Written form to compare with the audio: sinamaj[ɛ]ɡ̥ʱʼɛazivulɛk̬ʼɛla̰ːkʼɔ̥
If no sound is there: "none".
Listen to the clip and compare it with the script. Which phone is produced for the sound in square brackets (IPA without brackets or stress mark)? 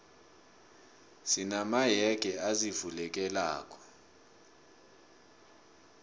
ɛ